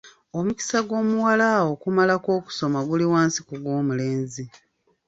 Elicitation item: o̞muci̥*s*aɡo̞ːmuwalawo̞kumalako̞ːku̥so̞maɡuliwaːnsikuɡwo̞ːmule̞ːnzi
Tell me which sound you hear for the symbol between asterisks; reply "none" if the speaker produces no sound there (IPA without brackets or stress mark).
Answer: s